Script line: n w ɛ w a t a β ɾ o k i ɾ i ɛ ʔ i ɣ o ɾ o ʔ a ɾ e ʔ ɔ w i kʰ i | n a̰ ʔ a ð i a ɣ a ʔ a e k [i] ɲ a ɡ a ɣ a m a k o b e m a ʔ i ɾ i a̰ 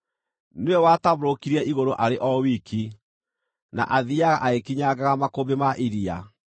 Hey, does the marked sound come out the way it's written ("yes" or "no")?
yes